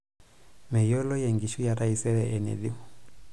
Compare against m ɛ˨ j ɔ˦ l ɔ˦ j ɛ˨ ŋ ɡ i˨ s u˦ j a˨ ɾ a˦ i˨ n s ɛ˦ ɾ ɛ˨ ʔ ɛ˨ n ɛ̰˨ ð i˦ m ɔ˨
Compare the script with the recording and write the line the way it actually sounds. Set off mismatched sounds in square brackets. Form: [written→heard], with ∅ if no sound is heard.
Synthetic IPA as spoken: m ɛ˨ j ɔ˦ l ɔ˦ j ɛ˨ ŋ ɡ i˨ [s→ʃ] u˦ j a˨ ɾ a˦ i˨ [n→∅] s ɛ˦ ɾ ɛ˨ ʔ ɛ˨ n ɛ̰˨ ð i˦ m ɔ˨